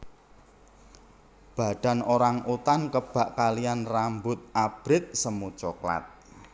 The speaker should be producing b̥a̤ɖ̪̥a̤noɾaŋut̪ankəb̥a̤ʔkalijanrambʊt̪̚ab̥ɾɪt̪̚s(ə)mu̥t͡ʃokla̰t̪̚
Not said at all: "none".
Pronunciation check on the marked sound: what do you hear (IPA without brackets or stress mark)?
ə